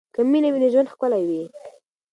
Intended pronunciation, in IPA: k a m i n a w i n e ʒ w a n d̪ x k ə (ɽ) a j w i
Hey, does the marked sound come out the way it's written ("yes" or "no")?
no